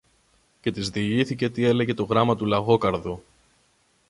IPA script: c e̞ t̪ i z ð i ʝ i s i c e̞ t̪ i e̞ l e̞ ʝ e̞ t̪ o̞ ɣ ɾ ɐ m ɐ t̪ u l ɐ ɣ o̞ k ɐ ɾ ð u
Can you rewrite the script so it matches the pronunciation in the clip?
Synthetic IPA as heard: c e̞ t̪ i z ð i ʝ i θ i c e̞ t̪ i e̞ l e̞ ʝ e̞ t̪ o̞ ɣ ɾ ɐ m ɐ t̪ u l ɐ ɣ o̞ k ɐ ɾ ð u